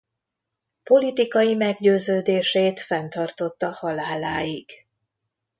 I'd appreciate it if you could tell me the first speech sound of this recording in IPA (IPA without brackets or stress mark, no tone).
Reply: p